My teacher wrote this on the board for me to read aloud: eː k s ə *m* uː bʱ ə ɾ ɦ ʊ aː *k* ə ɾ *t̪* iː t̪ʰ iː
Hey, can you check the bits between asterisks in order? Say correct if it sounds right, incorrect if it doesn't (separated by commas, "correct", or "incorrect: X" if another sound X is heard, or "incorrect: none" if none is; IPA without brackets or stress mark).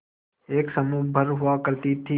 correct, correct, correct